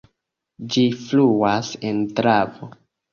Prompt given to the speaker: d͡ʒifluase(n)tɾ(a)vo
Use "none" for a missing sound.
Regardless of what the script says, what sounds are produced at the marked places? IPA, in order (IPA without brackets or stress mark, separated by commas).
n, a